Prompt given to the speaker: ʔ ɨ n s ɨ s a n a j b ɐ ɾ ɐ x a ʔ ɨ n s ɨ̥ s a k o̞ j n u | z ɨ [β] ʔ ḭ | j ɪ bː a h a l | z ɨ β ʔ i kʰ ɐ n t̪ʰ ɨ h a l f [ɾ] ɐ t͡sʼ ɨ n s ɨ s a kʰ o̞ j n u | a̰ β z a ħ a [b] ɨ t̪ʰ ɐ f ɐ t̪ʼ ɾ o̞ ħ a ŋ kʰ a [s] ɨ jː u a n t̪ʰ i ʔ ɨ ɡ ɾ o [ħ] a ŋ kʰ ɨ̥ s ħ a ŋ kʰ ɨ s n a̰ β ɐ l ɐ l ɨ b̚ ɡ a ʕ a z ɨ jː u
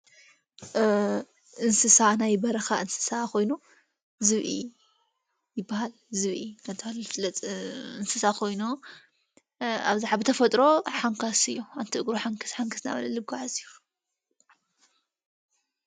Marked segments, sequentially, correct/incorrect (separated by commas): correct, incorrect, correct, correct, correct